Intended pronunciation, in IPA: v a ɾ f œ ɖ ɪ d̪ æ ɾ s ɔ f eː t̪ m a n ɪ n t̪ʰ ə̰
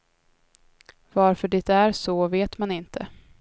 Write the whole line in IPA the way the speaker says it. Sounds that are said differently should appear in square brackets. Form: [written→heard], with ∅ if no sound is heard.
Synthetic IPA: v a ɾ f œ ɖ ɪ [d̪→t̪] æ ɾ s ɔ [f→v] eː t̪ m a n ɪ n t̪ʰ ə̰